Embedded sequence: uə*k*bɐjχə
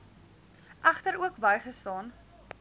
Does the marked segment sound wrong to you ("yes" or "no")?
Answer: no